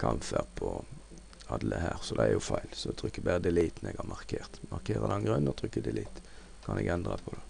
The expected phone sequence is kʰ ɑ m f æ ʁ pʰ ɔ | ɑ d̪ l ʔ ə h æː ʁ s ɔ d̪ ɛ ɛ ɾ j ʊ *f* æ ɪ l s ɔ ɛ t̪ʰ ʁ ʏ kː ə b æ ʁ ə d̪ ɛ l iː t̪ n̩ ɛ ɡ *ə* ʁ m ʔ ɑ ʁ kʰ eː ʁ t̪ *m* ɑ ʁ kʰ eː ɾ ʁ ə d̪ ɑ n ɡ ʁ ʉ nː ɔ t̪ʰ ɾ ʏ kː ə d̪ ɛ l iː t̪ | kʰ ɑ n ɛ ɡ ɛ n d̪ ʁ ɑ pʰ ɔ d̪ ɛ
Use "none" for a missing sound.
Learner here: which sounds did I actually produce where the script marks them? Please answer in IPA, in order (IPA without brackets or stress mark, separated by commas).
f, ɑ, m